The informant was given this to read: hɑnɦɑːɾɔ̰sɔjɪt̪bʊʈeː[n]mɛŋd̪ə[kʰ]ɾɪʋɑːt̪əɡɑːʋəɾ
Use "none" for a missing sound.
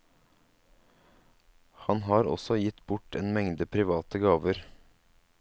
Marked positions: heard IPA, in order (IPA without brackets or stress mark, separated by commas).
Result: n, pʰ